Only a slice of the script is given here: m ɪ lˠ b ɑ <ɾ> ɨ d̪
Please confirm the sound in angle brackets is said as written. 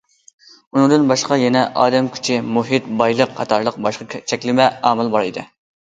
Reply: yes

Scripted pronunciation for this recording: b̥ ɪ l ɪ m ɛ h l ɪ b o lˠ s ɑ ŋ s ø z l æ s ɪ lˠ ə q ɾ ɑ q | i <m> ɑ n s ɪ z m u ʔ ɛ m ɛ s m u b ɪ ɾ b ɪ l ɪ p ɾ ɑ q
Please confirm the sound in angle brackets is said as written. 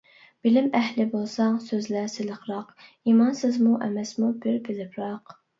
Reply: yes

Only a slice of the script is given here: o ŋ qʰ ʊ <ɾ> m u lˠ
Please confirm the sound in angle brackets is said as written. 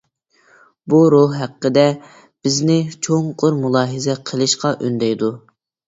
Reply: yes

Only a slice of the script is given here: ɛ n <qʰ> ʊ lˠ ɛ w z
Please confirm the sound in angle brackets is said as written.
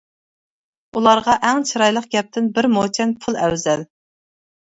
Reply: no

